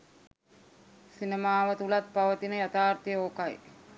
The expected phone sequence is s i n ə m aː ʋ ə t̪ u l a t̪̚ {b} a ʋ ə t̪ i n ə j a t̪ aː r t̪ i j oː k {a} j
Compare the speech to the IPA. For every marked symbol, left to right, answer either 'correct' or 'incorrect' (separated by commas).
incorrect, correct